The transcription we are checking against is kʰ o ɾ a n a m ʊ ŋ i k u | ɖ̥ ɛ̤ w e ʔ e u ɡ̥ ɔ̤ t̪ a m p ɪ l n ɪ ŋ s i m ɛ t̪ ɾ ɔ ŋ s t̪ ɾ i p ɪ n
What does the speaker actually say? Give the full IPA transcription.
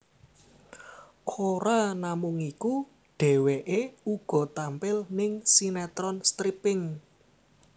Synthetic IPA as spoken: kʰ o ɾ a n a m ʊ ŋ i k u | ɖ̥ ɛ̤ w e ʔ e u ɡ̥ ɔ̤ t̪ a m p ɪ l n ɪ ŋ s i n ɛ t̪ ɾ ɔ n s t̪ ɾ i p ɪ ŋ